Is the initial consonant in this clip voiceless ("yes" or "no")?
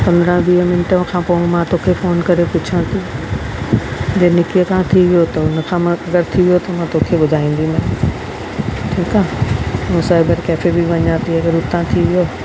yes